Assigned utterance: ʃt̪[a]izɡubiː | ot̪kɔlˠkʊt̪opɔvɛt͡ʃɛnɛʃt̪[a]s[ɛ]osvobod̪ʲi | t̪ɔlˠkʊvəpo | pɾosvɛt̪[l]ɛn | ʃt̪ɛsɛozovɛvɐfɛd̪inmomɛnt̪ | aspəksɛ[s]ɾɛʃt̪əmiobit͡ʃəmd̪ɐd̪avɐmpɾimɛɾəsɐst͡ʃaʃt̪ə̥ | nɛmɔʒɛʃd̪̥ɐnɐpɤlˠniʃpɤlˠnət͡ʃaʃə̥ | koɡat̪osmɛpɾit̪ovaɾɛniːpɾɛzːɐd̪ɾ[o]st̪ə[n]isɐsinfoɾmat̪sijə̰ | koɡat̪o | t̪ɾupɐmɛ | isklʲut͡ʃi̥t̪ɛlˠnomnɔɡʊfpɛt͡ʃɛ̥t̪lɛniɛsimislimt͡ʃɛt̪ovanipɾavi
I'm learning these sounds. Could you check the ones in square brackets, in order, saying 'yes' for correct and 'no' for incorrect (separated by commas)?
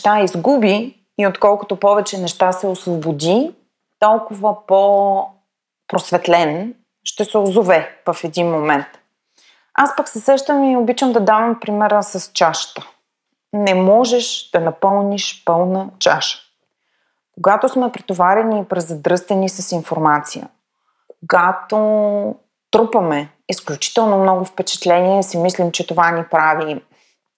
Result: yes, yes, yes, yes, yes, no, yes